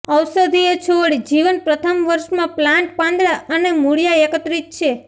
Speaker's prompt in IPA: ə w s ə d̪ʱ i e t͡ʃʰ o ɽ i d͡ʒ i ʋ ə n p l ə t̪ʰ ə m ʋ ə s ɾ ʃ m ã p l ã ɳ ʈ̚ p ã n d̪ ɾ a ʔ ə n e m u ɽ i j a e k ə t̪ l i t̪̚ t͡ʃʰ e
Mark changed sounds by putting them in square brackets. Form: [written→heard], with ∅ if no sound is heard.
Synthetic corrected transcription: ə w s ə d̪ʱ i e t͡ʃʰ o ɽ i d͡ʒ i ʋ ə n p [l→ɾ] ə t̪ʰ ə m ʋ ə [s→∅] ɾ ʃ m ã p l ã ɳ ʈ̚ p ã n d̪ ɾ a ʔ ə n e m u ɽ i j a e k ə t̪ [l→ɾ] i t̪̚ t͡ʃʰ e